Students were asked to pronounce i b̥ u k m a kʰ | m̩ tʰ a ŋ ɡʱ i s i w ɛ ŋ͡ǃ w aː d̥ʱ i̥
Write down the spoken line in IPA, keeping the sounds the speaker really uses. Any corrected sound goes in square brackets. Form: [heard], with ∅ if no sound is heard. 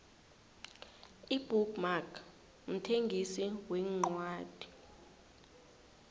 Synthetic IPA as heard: i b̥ u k m a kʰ | m̩ tʰ [e] ŋ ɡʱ i s i w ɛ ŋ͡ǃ w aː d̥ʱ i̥